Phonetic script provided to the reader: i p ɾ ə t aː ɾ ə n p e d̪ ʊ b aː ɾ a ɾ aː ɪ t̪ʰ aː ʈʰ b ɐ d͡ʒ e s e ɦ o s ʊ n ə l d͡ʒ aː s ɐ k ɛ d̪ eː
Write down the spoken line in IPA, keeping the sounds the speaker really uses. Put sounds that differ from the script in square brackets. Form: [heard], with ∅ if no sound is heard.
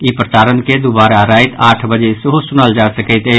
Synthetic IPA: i p ɾ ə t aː ɾ ə n [k] e d̪ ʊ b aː ɾ a ɾ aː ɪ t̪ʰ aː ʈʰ b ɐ d͡ʒ e s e ɦ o s ʊ n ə l d͡ʒ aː s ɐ k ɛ [t̪] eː